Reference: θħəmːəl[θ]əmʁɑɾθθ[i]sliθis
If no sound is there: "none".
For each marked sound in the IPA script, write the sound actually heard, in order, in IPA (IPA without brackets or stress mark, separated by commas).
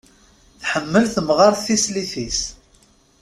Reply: θ, i